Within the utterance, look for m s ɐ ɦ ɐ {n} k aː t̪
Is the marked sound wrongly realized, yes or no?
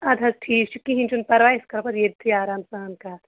no